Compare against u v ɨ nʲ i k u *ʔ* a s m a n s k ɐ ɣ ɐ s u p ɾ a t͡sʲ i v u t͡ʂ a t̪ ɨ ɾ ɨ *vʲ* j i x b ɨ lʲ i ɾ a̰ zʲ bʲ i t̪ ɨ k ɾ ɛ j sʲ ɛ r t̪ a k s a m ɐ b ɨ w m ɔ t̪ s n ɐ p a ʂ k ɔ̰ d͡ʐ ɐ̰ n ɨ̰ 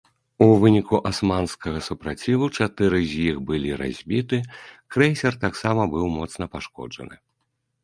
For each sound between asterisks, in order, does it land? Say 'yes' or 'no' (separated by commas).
yes, no